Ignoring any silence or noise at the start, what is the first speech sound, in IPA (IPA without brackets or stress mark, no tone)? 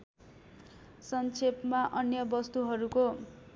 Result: s